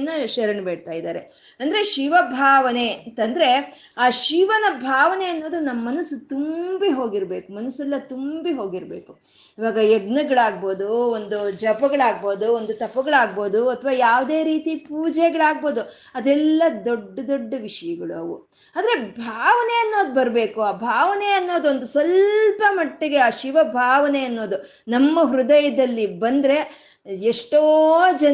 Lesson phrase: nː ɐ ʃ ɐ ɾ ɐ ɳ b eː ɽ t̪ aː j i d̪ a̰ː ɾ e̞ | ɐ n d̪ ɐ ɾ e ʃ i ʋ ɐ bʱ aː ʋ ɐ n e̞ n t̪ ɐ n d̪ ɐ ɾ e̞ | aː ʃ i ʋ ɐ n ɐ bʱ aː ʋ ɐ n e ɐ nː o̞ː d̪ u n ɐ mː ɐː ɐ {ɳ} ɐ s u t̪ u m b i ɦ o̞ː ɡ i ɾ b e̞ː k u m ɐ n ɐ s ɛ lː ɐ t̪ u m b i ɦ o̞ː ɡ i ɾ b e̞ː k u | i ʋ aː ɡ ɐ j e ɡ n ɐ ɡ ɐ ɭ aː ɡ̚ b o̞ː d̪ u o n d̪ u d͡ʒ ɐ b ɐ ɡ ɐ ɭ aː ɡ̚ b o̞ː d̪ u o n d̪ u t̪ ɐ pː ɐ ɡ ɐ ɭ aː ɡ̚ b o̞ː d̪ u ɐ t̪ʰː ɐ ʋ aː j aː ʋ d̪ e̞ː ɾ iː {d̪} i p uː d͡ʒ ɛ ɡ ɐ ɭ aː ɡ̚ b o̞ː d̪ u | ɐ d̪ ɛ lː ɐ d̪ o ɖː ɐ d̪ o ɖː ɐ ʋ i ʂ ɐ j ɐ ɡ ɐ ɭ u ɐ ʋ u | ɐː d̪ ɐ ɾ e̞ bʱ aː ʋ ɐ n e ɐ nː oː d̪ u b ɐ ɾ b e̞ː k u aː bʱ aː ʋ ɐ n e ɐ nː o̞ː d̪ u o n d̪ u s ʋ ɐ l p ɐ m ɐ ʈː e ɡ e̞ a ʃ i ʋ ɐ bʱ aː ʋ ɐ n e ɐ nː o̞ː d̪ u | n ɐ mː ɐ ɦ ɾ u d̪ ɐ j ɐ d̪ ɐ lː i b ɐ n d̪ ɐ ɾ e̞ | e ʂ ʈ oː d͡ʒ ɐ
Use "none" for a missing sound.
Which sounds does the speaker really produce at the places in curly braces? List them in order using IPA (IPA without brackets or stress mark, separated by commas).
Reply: n, t̪